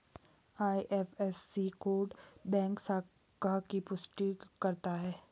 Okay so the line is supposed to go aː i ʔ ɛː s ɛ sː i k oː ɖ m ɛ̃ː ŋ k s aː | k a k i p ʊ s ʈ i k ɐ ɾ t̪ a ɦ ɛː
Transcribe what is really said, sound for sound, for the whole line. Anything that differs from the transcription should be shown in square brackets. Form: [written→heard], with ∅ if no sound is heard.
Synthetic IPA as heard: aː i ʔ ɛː [s→f] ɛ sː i k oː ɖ [m→b] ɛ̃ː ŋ k s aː | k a k i p ʊ s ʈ i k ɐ ɾ t̪ a ɦ ɛː